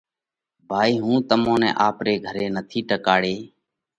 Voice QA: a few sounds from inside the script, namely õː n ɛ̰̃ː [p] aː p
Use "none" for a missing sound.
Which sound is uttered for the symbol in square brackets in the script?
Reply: ʔ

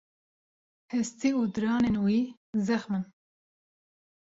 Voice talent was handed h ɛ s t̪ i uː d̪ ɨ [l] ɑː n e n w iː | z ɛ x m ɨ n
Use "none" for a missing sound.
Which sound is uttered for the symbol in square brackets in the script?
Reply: ɾ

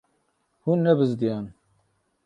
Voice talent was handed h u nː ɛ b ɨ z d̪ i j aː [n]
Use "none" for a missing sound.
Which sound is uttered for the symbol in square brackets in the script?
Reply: n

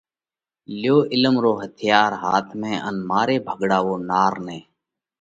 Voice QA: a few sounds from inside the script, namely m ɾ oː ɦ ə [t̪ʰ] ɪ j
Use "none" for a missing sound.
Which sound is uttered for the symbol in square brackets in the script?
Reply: t̪ʰ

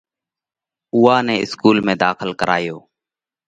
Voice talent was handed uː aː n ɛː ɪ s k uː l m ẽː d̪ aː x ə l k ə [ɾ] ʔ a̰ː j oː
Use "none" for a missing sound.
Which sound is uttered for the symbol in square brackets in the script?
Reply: ɾ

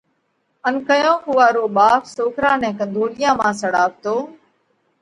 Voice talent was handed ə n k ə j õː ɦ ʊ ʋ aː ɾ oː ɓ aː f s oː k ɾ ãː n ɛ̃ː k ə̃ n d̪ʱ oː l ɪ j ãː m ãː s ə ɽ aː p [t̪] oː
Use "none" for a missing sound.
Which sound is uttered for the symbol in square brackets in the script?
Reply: t̪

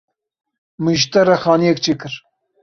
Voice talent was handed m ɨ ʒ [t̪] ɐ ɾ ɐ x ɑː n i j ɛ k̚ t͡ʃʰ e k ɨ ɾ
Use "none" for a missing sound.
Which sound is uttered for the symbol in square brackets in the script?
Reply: t̪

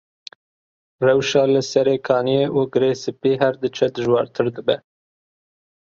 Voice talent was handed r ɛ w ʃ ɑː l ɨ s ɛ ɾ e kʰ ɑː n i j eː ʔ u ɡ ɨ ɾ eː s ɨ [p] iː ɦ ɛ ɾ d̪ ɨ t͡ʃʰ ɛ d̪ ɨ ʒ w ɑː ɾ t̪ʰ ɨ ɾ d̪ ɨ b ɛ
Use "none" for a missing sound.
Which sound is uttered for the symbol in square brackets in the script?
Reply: p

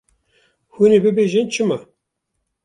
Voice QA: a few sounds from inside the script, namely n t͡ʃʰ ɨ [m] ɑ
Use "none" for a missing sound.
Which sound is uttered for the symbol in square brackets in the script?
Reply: m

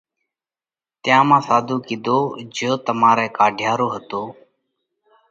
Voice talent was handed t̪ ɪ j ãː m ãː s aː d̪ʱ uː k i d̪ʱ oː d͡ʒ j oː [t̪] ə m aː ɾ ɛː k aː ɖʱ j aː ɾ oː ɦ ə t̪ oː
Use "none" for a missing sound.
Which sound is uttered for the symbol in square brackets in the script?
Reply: t̪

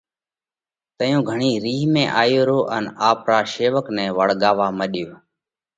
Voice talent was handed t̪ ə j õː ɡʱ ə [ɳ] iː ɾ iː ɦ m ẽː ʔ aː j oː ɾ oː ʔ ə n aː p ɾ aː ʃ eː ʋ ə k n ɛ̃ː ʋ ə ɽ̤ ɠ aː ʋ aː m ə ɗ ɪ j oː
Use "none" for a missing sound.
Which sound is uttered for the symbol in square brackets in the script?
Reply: ɳ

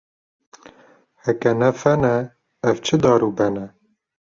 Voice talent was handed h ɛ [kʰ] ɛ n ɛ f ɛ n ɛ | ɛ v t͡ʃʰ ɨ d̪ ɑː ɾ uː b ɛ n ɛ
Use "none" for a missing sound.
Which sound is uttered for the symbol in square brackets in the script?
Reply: k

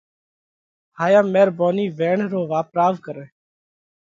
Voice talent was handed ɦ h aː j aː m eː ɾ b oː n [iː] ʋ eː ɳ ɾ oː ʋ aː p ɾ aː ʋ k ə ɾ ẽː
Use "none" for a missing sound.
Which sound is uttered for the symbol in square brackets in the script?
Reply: iː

